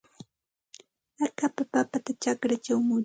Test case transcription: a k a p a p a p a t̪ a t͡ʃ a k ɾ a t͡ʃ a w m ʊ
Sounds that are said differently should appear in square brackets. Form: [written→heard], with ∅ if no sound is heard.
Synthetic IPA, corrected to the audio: a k a p a p a p a t̪ a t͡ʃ a k ɾ a t͡ʃ a w m ʊ